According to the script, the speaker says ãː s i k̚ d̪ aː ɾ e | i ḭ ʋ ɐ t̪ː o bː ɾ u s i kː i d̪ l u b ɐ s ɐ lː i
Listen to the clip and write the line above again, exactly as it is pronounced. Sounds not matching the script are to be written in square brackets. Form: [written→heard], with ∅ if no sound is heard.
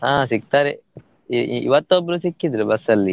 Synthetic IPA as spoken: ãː s i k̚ [d̪→t̪] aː ɾ e | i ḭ ʋ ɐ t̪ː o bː ɾ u s i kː i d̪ [l→ɾ] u b ɐ s ɐ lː i

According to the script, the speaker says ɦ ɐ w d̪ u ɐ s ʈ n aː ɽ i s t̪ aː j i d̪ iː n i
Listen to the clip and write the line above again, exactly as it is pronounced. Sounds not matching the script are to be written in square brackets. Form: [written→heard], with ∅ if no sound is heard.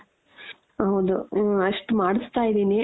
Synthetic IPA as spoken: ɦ ɐ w d̪ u ɐ [s→ʂ] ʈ [n→m] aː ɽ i s t̪ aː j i d̪ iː n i

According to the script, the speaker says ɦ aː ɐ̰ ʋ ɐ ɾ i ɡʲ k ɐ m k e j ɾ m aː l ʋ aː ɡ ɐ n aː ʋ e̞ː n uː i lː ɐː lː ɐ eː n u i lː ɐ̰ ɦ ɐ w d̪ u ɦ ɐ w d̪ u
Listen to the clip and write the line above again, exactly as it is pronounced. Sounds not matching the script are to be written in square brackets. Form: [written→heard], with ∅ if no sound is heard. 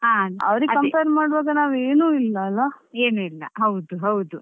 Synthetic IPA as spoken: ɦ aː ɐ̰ ʋ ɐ ɾ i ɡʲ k ɐ m [k→p] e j ɾ m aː [l→ɽ] ʋ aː ɡ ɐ n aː ʋ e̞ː n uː i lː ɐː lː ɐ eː n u i lː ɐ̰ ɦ ɐ w d̪ u ɦ ɐ w d̪ u

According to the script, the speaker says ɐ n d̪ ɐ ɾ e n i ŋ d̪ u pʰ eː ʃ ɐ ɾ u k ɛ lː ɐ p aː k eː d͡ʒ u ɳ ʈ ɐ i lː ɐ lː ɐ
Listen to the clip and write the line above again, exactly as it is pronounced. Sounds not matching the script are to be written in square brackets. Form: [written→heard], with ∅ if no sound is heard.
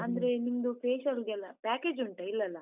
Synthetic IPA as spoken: ɐ n d̪ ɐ ɾ e n i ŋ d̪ u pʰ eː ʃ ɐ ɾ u [k→ɡ] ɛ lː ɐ p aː k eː d͡ʒ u ɳ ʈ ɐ i lː ɐ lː ɐ

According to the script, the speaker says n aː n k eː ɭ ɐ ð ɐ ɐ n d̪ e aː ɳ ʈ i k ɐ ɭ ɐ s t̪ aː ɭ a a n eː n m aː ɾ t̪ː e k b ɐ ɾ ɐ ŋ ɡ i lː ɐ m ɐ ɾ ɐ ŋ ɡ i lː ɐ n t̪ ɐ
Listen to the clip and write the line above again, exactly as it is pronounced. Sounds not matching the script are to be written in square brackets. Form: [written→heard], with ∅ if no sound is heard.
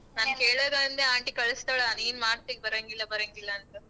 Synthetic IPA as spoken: n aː n k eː ɭ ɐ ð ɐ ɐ n d̪ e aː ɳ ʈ i k ɐ ɭ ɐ s t̪ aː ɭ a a n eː n m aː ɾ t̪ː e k b ɐ ɾ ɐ ŋ ɡ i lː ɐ [m→b] ɐ ɾ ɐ ŋ ɡ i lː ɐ n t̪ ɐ

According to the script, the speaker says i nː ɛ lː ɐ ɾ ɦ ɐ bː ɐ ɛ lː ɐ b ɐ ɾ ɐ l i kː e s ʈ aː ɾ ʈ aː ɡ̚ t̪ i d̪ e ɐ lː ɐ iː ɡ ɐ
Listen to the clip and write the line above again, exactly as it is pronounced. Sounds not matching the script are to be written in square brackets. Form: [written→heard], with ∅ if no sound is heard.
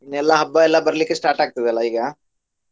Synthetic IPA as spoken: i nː ɛ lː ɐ [ɾ→∅] ɦ ɐ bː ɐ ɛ lː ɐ b ɐ ɾ ɐ l i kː e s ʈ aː ɾ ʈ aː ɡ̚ t̪ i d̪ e ɐ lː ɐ iː ɡ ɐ

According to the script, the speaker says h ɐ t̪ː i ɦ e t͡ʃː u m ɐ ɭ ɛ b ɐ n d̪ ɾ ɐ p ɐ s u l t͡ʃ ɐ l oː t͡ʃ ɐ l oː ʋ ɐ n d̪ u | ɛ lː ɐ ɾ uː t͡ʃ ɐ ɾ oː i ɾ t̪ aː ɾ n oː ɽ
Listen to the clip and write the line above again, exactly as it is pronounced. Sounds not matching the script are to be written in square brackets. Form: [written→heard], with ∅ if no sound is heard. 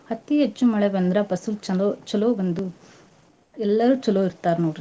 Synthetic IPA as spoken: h ɐ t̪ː i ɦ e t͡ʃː u m ɐ ɭ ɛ b ɐ n d̪ ɾ ɐ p ɐ s u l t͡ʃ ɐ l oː t͡ʃ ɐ l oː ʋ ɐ n d̪ u | ɛ lː ɐ ɾ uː t͡ʃ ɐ [ɾ→l] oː i ɾ t̪ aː ɾ n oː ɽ

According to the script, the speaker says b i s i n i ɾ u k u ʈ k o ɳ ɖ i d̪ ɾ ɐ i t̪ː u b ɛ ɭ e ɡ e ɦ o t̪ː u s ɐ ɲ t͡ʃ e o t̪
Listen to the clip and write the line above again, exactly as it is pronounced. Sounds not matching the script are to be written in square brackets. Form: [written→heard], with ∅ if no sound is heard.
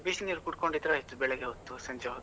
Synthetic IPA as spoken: b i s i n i ɾ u k u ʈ k o ɳ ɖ i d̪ ɾ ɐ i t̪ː u b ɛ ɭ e ɡ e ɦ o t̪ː u s ɐ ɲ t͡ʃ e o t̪

